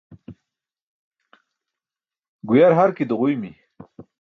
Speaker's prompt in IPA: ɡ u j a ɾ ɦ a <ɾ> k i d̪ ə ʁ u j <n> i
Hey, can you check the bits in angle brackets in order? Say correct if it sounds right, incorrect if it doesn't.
correct, incorrect: m

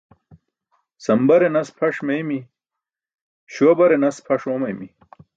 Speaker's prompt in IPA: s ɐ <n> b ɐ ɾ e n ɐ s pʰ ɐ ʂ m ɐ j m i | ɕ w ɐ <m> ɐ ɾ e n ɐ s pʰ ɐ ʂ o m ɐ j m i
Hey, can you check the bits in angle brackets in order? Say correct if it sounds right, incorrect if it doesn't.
incorrect: m, incorrect: b

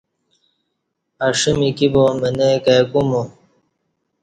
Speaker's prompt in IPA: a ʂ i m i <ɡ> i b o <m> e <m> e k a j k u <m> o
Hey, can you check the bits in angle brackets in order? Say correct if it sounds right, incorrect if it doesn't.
incorrect: k, correct, incorrect: n, correct

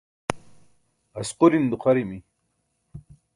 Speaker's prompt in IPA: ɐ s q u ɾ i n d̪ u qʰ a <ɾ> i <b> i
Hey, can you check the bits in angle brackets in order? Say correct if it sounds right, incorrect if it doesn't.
correct, incorrect: m

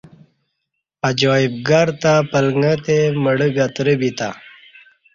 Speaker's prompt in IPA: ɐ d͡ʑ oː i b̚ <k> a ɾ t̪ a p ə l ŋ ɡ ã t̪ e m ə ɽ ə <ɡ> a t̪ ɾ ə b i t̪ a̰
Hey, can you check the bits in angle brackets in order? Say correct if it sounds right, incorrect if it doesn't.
incorrect: ɡ, correct

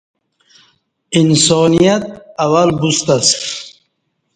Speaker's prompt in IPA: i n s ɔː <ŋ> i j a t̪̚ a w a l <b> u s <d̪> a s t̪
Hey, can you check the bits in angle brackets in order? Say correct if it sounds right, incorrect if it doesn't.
incorrect: n, correct, incorrect: t̪

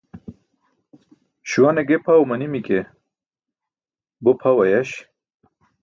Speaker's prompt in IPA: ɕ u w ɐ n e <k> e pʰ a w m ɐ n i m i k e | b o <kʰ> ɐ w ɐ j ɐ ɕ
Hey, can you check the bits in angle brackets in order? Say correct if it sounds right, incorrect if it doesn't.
incorrect: ɡ, incorrect: pʰ

